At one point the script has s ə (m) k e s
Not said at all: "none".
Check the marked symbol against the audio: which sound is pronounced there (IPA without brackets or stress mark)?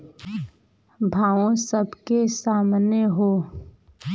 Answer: b